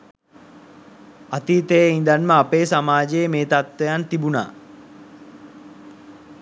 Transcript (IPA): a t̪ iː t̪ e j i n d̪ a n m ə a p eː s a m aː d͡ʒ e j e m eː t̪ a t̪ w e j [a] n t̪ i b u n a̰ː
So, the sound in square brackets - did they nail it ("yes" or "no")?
yes